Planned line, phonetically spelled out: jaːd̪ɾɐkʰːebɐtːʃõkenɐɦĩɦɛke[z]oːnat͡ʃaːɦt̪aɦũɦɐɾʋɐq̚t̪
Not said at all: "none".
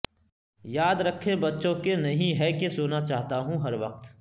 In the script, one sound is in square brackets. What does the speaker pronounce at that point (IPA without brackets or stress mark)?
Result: s